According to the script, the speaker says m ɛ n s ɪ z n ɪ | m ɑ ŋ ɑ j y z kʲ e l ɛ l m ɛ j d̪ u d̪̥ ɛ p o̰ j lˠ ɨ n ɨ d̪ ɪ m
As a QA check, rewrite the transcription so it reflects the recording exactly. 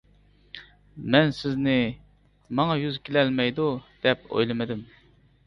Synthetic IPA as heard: m ɛ n s ɪ z n ɪ | m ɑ ŋ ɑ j y z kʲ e l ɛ l m ɛ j d̪ u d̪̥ ɛ p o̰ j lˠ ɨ m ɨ d̪ ɪ m